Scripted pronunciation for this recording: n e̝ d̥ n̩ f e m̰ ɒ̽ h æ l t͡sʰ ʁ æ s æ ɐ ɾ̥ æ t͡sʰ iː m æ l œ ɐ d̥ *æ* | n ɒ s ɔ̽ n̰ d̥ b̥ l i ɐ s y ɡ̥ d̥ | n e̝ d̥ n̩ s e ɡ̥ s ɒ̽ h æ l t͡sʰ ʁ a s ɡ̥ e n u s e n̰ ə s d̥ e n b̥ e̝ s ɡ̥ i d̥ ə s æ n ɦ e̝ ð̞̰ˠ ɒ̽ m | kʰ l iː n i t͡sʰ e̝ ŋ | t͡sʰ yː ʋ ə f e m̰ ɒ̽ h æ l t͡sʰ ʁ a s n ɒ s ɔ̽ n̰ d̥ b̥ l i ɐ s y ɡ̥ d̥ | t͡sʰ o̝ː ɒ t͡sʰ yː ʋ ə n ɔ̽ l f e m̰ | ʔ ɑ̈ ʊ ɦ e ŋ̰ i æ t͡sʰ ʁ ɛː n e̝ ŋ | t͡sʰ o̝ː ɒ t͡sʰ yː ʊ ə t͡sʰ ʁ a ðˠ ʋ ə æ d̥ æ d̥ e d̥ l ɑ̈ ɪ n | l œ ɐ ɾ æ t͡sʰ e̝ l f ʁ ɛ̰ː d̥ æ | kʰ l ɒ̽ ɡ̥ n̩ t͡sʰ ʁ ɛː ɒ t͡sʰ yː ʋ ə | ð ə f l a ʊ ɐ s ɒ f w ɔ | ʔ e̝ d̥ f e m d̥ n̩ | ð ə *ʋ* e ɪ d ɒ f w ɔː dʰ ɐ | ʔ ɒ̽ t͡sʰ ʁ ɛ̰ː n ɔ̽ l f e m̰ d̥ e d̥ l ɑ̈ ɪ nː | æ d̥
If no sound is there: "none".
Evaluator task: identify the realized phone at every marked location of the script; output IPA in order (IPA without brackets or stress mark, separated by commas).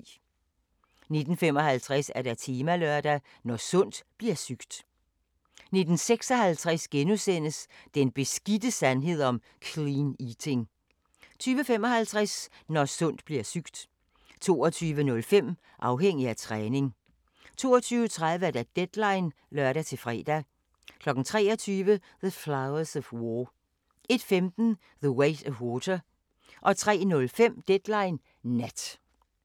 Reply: æ, w